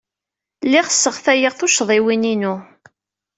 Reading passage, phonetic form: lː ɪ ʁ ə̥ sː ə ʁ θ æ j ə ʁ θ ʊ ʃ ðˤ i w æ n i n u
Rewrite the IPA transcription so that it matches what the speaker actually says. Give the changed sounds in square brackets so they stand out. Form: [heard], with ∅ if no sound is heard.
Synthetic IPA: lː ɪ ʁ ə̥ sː ə ʁ θ æ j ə ʁ θ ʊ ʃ ðˤ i w [i] n i n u